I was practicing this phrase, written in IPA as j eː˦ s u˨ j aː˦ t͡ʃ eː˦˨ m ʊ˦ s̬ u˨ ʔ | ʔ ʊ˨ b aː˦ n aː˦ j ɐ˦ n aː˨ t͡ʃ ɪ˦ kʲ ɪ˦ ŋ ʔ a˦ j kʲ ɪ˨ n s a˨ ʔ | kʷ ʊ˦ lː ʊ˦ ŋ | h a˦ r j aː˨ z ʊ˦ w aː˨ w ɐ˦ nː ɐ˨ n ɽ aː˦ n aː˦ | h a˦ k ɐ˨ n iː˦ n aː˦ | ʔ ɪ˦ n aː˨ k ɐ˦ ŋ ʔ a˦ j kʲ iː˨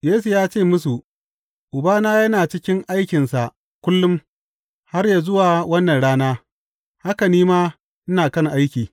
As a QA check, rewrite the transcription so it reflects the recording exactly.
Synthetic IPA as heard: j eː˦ s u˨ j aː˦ t͡ʃ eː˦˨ m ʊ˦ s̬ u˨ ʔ | ʔ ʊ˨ b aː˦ n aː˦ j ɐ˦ n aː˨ t͡ʃ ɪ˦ kʲ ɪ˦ ŋ ʔ a˦ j kʲ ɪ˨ n s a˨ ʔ | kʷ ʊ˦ lː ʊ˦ m | h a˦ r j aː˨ z ʊ˦ w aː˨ w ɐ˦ nː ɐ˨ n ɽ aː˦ n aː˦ | h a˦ k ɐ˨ n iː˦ m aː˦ | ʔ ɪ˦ n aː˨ k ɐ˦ ŋ ʔ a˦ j kʲ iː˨